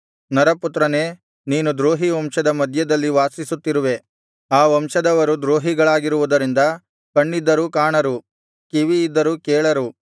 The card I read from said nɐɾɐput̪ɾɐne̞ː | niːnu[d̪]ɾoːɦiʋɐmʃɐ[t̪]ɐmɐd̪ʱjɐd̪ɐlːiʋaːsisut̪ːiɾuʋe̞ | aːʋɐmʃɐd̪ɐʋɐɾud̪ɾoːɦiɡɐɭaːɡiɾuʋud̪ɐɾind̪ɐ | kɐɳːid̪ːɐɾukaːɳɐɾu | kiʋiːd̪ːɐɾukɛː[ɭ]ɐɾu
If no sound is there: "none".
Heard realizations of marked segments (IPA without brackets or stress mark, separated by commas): d̪, d̪, ɭ